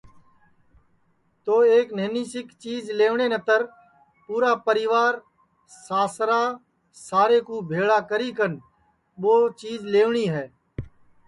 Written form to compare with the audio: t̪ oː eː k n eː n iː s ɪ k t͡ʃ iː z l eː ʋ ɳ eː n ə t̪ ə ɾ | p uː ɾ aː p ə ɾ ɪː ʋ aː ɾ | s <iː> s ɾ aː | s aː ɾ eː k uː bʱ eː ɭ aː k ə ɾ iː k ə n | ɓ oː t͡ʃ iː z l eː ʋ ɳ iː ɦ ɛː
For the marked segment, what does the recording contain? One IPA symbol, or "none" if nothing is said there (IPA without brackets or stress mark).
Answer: aː